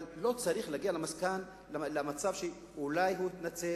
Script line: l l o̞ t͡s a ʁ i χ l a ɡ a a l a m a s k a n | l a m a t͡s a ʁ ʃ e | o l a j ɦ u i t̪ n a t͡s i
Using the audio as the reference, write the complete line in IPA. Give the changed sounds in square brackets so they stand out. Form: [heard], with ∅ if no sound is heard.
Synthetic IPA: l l o̞ t͡s a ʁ i χ l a ɡ [i] a l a m a s k a n | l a m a t͡s a [v] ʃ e | [u] l a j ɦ u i t̪ n a t͡s [e]